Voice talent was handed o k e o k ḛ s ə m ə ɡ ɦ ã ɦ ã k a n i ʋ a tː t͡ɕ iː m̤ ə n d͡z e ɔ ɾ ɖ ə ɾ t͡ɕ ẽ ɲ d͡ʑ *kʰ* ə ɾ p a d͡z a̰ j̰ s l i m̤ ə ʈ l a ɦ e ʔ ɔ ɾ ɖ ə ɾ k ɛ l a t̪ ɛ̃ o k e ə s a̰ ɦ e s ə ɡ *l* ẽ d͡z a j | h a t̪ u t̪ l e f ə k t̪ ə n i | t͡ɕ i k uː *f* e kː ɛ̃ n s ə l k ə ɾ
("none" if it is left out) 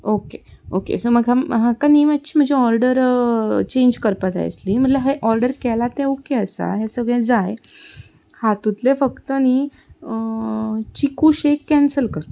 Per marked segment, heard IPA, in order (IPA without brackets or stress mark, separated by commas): k, ɭ, ɕ